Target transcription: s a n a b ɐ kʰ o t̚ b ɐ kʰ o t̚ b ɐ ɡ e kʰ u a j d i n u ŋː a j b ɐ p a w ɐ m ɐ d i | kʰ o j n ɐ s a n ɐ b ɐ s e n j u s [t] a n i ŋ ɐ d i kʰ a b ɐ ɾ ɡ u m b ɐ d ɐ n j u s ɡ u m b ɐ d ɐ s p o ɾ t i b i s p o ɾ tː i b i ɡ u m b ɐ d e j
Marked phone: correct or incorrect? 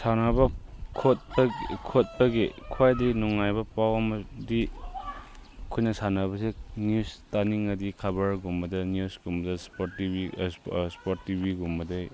correct